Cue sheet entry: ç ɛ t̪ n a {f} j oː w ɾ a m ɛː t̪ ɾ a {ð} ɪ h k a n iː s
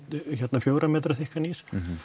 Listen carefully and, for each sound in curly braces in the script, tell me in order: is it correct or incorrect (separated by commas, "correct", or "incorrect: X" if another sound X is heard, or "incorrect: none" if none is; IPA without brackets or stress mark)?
correct, incorrect: θ